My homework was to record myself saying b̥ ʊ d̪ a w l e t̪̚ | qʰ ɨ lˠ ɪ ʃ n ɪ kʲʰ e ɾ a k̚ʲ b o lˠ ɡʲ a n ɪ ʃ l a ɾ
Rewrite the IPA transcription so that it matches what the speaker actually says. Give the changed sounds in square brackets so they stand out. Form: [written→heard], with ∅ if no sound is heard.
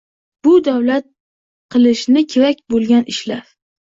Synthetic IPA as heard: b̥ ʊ d̪ a w l [e→a] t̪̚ | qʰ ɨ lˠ ɪ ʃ n ɪ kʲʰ e ɾ a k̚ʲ b o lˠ ɡʲ a n ɪ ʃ l a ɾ